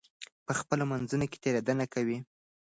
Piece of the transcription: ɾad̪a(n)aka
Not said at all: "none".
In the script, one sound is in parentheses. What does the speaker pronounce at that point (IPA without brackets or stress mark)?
n